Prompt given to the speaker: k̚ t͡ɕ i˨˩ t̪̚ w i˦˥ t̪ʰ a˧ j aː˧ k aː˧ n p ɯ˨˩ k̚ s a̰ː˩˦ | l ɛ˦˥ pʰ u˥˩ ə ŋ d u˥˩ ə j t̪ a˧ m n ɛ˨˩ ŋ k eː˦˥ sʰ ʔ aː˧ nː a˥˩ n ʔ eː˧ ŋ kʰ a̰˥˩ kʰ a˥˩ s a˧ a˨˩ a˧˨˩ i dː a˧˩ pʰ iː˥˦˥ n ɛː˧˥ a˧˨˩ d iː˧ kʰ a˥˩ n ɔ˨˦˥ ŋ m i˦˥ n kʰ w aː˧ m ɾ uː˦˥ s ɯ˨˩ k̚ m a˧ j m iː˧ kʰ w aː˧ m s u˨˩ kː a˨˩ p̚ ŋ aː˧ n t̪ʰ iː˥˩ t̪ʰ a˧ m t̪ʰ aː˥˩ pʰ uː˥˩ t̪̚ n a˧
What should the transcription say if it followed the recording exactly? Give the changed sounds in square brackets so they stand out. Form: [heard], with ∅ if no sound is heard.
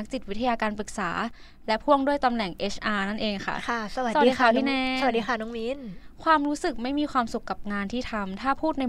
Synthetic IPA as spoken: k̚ t͡ɕ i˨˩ t̪̚ w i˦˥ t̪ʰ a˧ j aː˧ k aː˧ n p ɯ˨˩ k̚ s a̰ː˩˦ | l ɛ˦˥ pʰ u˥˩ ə ŋ d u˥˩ ə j t̪ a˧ m n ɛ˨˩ ŋ [ʔ] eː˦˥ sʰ ʔ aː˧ [n] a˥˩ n ʔ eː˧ ŋ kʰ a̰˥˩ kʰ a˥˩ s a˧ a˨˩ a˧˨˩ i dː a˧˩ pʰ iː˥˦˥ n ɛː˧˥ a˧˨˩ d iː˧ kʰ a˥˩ n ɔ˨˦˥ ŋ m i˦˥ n kʰ w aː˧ m ɾ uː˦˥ s ɯ˨˩ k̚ m [a˥˩] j m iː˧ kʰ w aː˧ m s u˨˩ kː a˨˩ p̚ ŋ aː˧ n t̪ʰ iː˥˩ t̪ʰ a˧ m t̪ʰ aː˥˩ pʰ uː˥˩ t̪̚ n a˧